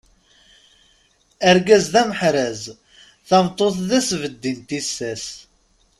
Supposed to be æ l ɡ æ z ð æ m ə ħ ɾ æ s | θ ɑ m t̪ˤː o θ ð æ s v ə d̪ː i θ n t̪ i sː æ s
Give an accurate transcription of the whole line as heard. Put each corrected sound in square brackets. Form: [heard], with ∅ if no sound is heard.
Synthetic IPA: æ [ɾ] ɡ æ z ð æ m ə ħ ɾ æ [z] | θ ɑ m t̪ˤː o θ ð æ s v ə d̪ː i [∅] n t̪ i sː æ s